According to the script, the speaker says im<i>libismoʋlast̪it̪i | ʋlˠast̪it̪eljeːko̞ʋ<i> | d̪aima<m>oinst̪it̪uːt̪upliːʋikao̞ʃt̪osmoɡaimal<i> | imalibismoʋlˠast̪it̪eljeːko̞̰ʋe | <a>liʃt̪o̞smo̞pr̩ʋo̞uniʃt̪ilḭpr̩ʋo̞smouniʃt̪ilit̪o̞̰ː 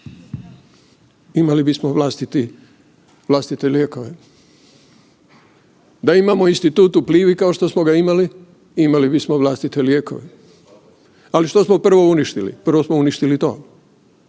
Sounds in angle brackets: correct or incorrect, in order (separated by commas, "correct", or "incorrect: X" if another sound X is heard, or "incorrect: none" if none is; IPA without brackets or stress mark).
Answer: incorrect: a, incorrect: e, correct, correct, correct